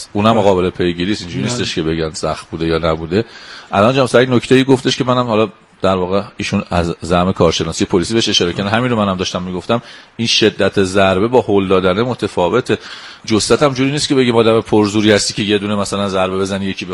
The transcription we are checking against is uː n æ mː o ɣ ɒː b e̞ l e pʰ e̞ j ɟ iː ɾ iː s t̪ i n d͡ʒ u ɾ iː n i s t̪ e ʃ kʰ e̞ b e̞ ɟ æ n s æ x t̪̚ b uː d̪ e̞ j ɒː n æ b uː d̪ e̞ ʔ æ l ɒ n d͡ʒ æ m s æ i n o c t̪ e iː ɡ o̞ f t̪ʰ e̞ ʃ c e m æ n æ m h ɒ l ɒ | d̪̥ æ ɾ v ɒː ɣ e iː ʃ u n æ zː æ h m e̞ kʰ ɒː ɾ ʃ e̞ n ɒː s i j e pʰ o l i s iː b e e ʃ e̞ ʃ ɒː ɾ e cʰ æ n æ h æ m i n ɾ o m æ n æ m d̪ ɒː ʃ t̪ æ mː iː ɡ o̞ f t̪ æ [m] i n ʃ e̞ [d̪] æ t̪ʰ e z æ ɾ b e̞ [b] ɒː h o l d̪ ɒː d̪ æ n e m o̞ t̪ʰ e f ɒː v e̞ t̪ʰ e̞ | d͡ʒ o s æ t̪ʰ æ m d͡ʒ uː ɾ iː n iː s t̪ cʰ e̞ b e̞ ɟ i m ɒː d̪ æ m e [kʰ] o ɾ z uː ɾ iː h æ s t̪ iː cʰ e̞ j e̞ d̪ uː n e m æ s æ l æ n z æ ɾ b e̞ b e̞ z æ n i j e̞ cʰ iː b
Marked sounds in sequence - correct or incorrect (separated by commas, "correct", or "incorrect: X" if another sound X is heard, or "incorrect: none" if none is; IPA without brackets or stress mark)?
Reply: correct, incorrect: d̪ː, correct, incorrect: pʰ